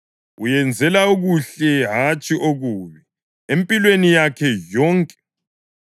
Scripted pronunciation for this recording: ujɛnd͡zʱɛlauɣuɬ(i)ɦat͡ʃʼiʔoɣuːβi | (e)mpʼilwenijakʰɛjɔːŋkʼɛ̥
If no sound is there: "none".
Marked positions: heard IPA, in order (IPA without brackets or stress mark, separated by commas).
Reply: ɛ, e